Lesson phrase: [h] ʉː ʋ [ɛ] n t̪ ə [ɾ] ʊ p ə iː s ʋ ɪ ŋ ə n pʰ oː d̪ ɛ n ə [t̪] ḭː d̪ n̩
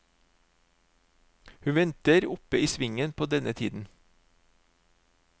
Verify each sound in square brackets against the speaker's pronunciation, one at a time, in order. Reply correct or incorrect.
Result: correct, correct, correct, incorrect: t̪ʰ

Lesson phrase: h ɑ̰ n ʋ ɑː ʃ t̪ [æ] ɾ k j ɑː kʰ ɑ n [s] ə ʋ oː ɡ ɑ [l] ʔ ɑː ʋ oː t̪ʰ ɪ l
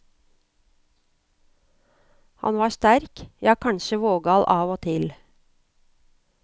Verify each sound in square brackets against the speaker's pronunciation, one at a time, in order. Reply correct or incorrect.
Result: correct, incorrect: ʃ, correct

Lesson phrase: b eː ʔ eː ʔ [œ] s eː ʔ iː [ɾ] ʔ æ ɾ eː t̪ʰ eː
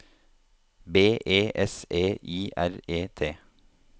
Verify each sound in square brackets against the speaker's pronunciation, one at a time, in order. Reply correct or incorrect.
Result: incorrect: ɛ, incorrect: none

